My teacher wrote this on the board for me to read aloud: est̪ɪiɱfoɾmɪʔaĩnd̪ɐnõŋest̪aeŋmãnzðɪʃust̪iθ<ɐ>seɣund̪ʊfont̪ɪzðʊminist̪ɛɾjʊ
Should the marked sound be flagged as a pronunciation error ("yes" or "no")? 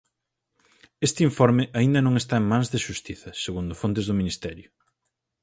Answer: no